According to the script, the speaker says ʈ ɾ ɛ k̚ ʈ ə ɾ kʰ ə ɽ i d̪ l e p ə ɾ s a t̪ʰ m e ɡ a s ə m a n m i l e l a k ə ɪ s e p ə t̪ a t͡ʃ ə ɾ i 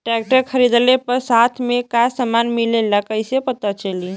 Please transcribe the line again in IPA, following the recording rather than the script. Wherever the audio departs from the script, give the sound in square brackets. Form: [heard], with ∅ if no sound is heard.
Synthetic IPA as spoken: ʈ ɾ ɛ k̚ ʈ ə ɾ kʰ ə [ɾ] i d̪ l e p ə ɾ s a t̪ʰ m e [k] a s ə m a n m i l e l a k ə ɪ s e p ə t̪ a t͡ʃ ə [l] i